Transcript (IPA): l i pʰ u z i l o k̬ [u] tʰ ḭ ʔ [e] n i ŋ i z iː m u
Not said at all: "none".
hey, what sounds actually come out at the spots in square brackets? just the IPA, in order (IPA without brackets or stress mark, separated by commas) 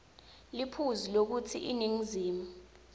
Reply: u, i